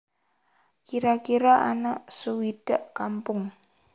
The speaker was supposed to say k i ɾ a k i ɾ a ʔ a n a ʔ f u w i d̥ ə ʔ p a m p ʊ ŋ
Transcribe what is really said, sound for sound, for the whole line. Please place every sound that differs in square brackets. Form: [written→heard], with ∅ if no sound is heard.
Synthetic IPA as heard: k i ɾ a k i ɾ a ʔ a n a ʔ [f→s] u w i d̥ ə ʔ [p→k] a m p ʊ ŋ